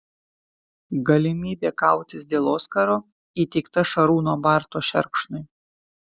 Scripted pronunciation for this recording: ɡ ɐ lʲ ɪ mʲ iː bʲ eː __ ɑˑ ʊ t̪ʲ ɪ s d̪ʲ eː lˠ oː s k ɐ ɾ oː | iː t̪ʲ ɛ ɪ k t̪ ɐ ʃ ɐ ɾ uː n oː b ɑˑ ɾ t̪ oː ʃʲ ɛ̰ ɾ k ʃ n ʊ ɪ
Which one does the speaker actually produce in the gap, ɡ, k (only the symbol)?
k